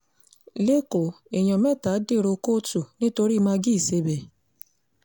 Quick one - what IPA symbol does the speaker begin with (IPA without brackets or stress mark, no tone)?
l